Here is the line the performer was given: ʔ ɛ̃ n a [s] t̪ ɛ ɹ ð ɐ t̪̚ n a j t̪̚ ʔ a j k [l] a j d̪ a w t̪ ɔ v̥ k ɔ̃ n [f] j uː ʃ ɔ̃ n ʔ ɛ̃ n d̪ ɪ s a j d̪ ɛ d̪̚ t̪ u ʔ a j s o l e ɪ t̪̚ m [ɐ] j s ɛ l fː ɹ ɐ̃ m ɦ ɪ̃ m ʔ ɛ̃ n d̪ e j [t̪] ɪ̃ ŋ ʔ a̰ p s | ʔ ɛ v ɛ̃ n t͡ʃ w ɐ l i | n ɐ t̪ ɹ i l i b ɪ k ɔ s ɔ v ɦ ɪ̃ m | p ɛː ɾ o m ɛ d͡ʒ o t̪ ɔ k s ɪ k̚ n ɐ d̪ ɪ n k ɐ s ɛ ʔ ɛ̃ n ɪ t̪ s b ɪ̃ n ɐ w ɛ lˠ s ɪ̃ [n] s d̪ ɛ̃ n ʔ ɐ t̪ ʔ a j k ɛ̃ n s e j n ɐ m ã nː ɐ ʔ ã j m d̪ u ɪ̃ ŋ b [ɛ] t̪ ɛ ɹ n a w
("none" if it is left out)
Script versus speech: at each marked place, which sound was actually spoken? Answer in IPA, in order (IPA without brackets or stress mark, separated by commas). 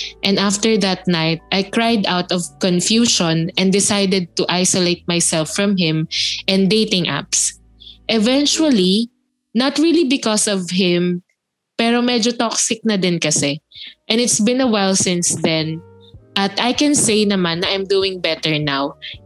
f, ɹ, f, a, t̪, n, ɛ